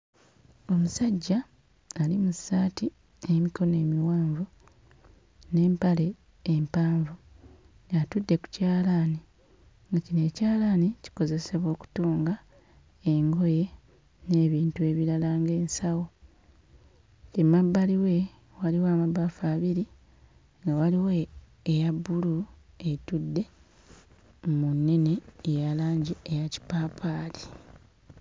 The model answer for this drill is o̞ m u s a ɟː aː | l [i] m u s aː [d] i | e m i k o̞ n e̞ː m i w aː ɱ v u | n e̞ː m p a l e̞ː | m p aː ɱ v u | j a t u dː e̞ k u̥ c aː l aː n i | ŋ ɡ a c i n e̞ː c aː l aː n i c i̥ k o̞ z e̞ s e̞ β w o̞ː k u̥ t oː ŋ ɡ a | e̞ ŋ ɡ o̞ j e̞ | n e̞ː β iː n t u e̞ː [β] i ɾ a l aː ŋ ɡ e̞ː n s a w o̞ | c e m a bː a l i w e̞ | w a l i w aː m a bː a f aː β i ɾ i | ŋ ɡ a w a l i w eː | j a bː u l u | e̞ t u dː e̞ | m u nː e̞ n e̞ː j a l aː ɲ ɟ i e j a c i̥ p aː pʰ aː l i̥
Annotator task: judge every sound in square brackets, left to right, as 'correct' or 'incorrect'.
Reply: correct, incorrect: t, correct

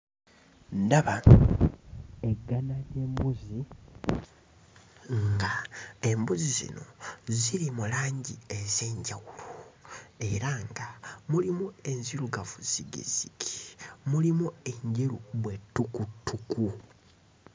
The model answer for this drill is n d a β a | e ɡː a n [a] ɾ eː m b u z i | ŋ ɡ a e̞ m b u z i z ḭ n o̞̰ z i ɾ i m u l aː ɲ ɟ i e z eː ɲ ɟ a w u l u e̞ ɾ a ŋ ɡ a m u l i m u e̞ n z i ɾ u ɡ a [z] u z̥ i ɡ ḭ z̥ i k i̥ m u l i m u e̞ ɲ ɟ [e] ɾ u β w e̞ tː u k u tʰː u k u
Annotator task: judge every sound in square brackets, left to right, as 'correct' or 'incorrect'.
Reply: correct, incorrect: v, correct

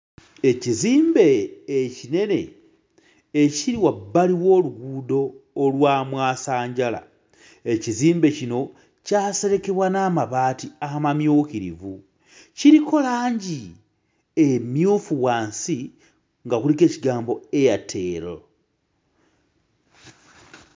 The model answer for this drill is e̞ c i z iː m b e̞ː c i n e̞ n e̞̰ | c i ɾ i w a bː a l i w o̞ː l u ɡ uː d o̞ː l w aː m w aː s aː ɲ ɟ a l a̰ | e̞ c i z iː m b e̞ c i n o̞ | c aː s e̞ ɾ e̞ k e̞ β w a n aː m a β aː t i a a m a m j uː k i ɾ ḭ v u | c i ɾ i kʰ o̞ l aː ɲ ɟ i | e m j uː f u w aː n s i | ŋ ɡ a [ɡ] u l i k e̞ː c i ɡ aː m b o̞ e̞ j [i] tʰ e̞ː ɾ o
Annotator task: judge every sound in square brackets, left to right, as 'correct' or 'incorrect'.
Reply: incorrect: k, incorrect: a

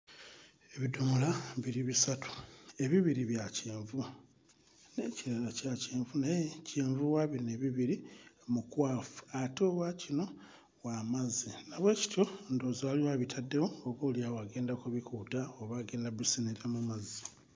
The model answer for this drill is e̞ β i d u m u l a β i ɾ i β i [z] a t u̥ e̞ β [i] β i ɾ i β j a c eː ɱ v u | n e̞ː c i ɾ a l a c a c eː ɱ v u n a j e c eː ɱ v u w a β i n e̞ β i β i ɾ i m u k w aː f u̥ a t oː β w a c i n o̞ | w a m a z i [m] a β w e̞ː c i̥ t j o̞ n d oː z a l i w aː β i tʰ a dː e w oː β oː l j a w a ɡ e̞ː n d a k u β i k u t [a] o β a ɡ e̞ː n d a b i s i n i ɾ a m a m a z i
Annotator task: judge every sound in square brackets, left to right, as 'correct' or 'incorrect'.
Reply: incorrect: s, correct, incorrect: n, correct

